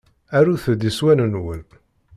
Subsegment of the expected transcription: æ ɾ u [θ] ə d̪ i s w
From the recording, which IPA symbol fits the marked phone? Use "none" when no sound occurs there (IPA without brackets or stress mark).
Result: θ